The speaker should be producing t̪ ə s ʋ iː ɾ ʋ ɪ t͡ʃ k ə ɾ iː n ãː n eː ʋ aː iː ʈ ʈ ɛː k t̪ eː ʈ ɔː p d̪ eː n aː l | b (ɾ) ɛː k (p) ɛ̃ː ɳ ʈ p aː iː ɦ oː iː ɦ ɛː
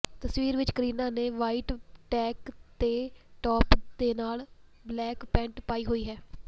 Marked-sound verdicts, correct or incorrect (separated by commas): incorrect, correct